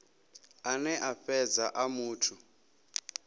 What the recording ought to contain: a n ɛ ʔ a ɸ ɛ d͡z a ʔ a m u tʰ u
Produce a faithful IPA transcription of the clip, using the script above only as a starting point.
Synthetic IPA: a n ɛ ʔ a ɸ ɛ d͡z a ʔ a m uː tʰ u